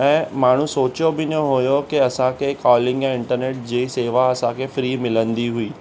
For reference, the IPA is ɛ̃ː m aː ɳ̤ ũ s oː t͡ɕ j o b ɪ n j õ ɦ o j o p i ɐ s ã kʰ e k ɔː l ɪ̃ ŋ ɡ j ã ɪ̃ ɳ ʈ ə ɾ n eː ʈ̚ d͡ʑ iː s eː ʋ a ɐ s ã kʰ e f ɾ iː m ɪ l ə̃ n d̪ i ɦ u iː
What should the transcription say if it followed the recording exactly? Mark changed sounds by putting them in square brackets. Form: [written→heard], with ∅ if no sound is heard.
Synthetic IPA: ɛ̃ː m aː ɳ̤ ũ s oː t͡ɕ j o b ɪ n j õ ɦ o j o [p→k] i ɐ s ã kʰ e k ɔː l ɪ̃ ŋ ɡ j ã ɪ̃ ɳ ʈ ə ɾ n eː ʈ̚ d͡ʑ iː s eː ʋ a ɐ s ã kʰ e f ɾ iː m ɪ l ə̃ n d̪ i ɦ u iː

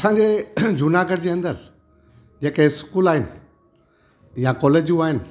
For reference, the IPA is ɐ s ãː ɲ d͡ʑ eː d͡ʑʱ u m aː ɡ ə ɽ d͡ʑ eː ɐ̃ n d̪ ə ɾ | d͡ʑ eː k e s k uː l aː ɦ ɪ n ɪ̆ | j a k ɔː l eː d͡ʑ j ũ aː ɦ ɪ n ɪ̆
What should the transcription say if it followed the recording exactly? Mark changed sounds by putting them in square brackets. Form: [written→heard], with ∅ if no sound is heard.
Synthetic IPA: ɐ s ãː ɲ d͡ʑ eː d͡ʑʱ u [m→n] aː ɡ ə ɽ d͡ʑ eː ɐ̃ n d̪ ə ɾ | d͡ʑ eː k e s k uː l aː ɦ ɪ n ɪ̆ | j a k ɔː l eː d͡ʑ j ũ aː ɦ ɪ n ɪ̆

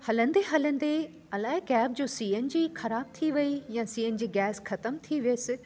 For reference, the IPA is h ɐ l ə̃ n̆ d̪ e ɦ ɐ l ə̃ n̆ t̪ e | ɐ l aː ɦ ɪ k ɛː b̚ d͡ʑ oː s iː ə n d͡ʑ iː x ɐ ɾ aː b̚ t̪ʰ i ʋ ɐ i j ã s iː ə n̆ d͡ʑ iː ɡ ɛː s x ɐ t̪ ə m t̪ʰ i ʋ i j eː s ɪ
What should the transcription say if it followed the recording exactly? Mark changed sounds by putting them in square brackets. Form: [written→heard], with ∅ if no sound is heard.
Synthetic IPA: h ɐ l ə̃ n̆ d̪ e ɦ ɐ l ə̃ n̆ [t̪→d̪] e | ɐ l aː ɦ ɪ k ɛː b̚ d͡ʑ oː s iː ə n d͡ʑ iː x ɐ ɾ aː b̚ t̪ʰ i ʋ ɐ i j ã s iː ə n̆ d͡ʑ iː ɡ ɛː s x ɐ t̪ ə m t̪ʰ i ʋ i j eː s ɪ

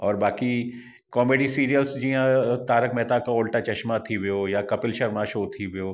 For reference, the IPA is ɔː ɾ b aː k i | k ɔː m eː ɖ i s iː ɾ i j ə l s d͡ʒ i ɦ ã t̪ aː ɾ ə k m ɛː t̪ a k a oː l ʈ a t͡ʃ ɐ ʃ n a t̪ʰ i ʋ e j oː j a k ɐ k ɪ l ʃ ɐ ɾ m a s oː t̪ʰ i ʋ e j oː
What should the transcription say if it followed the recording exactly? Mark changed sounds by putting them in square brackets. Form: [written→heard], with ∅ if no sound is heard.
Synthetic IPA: ɔː ɾ b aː k i | k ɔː m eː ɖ i s iː ɾ i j ə l s d͡ʒ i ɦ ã t̪ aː ɾ ə k m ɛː t̪ a k a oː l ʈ a t͡ʃ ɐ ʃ [n→m] a t̪ʰ i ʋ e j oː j a k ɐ [k→p] ɪ l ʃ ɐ ɾ m a [s→ʃ] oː t̪ʰ i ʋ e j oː

